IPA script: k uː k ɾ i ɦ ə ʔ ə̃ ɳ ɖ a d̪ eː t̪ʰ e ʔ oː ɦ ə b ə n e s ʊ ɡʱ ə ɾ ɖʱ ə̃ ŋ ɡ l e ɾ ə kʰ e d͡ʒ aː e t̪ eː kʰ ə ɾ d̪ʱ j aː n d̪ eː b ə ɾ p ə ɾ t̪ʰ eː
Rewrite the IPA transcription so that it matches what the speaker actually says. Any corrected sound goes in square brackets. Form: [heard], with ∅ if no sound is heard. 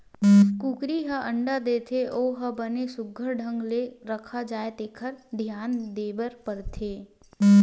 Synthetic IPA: k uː k ɾ i ɦ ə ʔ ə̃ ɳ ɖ a d̪ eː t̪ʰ e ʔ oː ɦ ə b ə n e s ʊ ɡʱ ə ɾ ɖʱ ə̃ ŋ ɡ l e ɾ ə kʰ [a] d͡ʒ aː e t̪ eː kʰ ə ɾ d̪ʱ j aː n d̪ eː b ə ɾ p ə ɾ t̪ʰ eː

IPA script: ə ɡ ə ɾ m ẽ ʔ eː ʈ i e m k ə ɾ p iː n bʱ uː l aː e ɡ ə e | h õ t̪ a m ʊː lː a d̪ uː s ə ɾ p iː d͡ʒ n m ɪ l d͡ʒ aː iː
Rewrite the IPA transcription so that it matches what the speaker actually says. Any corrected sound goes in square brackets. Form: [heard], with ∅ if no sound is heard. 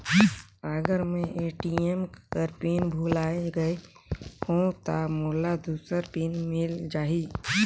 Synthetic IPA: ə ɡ ə ɾ m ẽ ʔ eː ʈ i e m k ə ɾ p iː n bʱ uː l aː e ɡ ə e | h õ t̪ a m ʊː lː a d̪ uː s ə ɾ p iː [∅] n m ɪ l d͡ʒ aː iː

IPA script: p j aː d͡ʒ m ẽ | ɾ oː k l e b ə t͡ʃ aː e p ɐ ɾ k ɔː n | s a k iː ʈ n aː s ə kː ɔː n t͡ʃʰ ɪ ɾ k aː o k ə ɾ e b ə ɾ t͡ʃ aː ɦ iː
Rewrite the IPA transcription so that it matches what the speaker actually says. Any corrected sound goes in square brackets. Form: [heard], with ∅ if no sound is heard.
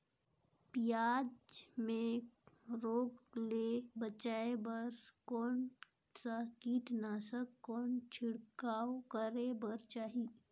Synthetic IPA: p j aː d͡ʒ m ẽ | ɾ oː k l e b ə t͡ʃ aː e [b] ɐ ɾ k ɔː n | s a k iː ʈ n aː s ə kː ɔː n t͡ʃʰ ɪ [ɽ] k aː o k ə ɾ e b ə ɾ t͡ʃ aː ɦ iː

